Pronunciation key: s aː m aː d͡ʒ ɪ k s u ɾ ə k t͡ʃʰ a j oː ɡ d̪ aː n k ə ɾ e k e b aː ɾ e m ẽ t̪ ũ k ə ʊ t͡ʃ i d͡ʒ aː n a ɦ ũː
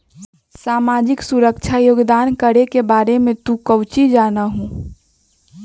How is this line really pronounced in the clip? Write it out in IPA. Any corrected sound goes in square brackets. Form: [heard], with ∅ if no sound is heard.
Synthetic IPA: s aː m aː d͡ʒ ɪ k s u ɾ ə k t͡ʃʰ a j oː ɡ d̪ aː n k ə ɾ e k e b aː ɾ e m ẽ t̪ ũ k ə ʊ t͡ʃ i d͡ʒ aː n a ɦ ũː